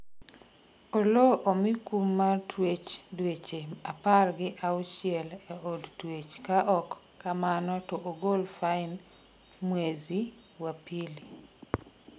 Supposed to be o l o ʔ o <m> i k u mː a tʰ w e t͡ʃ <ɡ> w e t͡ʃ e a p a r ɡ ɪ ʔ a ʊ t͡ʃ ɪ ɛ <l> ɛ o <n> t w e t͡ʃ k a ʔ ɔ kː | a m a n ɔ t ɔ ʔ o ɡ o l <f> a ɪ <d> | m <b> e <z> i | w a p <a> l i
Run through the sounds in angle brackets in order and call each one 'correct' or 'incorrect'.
correct, incorrect: d, correct, incorrect: d, correct, incorrect: n, incorrect: w, correct, incorrect: i

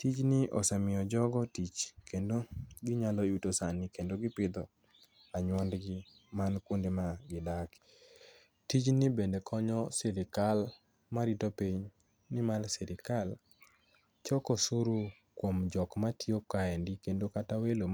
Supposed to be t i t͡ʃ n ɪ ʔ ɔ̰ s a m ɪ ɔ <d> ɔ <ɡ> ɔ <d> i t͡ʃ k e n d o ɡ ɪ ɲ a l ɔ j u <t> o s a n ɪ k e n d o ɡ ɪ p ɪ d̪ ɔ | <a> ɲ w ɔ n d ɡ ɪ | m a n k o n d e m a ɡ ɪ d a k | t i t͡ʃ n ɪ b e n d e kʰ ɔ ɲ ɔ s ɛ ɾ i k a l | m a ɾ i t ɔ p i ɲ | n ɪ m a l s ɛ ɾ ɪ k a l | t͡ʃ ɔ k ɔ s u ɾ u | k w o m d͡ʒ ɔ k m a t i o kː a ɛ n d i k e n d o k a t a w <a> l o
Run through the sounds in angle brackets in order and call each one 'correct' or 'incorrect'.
incorrect: d͡ʒ, correct, incorrect: t, correct, correct, incorrect: e

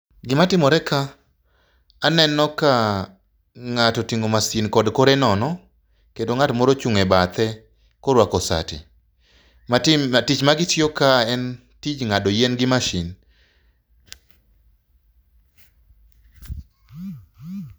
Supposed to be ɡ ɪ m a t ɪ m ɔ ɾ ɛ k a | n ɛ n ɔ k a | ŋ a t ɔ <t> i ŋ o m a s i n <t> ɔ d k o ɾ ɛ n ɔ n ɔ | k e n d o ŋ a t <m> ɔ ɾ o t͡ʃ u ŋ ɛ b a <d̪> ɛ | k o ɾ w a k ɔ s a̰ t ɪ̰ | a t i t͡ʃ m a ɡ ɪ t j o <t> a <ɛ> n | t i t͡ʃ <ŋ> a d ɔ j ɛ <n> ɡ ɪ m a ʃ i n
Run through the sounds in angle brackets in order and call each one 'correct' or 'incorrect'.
correct, incorrect: k, correct, incorrect: t̪, incorrect: k, correct, correct, correct

